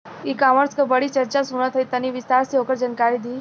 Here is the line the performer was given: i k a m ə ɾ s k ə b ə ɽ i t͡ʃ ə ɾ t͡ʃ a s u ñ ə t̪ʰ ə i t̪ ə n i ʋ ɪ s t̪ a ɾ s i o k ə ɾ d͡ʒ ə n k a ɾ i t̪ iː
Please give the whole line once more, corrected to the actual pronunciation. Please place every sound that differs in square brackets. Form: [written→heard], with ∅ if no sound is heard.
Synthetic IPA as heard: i k a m ə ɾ s k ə b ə ɽ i t͡ʃ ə ɾ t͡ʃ a s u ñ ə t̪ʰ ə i t̪ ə n i ʋ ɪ s t̪ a ɾ s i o k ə ɾ d͡ʒ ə n k a ɾ i [t̪→d̪] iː